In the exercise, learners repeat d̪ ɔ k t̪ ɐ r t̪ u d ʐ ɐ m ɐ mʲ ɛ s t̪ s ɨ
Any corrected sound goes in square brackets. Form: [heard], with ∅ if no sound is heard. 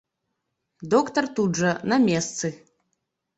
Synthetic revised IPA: d̪ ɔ k t̪ ɐ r t̪ u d ʐ ɐ [n] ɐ mʲ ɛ s t̪ s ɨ